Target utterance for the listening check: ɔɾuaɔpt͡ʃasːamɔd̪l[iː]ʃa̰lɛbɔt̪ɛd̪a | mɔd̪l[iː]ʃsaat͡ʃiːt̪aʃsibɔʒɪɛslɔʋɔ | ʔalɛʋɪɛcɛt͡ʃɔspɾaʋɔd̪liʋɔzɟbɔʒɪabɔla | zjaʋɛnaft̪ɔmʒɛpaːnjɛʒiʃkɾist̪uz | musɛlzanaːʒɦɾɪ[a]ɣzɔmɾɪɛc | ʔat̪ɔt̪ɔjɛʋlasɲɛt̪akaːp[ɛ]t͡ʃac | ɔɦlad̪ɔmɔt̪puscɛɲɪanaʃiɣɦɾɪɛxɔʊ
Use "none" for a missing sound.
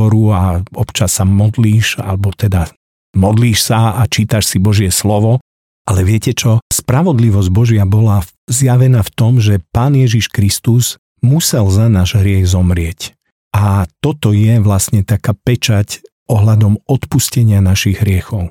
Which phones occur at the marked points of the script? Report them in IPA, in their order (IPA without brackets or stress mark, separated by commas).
iː, iː, ɛ, ɛ